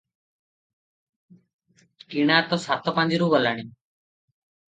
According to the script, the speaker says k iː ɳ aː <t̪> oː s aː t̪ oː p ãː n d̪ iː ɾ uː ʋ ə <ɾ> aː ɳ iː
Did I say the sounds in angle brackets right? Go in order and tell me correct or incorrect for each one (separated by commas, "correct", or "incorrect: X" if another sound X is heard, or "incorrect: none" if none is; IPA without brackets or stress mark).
correct, incorrect: l